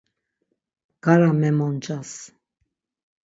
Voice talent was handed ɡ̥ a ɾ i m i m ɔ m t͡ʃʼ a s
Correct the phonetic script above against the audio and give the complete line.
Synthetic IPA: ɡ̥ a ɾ a m ɛ m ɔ n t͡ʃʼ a s